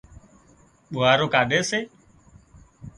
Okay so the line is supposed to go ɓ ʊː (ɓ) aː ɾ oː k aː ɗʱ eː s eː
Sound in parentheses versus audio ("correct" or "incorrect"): incorrect